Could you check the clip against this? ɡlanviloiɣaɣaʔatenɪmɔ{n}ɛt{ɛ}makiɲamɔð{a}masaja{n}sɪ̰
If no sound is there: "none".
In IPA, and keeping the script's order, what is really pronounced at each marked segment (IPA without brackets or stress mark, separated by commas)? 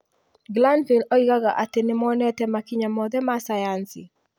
n, ɛ, ɛ, n